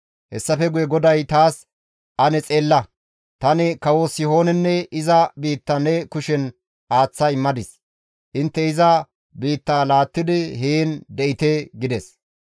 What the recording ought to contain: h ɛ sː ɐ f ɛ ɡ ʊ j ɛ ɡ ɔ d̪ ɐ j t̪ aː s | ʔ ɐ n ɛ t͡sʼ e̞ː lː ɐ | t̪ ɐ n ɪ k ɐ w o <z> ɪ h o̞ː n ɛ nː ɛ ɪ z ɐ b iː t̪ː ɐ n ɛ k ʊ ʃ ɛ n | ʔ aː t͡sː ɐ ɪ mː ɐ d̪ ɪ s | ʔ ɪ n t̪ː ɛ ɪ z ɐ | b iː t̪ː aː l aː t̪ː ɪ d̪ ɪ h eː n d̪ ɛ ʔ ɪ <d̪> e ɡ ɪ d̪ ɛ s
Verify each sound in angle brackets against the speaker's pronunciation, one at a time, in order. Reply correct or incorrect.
incorrect: s, incorrect: t̪

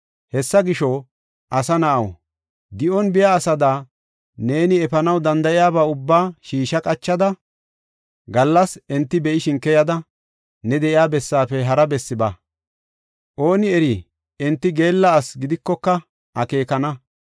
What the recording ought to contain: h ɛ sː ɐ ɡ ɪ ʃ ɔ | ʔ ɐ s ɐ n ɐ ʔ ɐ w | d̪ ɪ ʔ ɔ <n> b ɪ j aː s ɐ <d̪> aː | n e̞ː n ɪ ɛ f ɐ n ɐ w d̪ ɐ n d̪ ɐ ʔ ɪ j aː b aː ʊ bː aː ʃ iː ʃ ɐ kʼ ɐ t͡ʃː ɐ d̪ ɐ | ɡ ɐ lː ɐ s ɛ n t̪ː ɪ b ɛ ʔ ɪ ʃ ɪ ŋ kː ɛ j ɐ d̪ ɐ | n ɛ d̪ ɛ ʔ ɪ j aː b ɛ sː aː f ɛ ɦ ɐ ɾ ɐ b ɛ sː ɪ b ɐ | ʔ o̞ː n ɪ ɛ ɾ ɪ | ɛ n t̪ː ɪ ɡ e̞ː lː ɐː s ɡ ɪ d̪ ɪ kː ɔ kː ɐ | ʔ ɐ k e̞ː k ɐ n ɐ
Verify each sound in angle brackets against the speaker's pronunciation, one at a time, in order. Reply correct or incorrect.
correct, correct

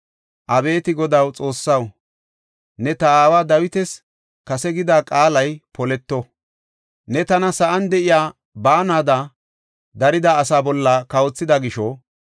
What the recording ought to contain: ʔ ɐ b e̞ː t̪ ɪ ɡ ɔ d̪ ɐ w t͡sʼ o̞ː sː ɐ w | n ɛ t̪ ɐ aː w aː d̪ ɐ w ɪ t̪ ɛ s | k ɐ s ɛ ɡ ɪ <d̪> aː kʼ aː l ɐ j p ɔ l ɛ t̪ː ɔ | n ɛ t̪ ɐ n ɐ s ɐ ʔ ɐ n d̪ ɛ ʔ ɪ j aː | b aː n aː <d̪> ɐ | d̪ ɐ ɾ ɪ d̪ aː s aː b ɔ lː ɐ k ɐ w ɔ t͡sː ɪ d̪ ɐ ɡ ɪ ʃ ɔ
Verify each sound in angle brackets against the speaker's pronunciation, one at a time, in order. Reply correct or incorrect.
correct, correct

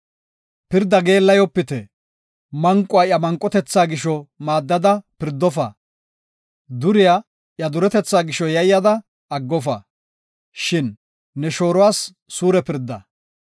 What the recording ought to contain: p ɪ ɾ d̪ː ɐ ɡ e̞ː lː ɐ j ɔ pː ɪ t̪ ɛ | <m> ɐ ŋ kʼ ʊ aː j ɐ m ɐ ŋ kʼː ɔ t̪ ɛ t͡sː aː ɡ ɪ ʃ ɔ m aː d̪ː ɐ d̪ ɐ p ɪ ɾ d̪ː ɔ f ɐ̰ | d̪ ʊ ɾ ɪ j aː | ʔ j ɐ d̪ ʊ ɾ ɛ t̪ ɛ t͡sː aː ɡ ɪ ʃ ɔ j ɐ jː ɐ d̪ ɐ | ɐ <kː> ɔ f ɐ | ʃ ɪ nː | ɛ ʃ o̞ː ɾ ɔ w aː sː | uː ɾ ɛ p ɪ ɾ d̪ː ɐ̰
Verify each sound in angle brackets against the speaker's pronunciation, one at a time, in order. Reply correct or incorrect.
correct, incorrect: ɡː

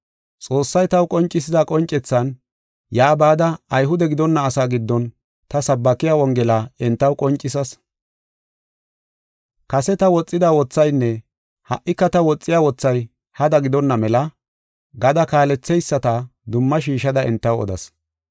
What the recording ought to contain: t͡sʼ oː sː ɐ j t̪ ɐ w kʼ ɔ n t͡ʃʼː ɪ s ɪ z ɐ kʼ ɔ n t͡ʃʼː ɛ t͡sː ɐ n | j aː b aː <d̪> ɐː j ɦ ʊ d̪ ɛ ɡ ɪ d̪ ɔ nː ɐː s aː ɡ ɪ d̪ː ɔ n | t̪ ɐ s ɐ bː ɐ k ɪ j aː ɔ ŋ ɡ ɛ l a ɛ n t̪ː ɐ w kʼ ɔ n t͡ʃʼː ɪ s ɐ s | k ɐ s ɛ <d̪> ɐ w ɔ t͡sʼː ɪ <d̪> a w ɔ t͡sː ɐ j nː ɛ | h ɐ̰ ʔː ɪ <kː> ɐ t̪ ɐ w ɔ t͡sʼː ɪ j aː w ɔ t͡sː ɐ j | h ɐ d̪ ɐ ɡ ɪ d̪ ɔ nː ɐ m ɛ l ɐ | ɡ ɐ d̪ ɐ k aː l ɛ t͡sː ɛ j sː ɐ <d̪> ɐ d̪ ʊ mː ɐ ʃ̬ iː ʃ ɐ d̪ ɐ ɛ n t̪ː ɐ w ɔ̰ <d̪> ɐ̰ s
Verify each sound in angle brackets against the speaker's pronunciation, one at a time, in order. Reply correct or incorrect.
correct, incorrect: t̪, correct, correct, incorrect: t̪, correct

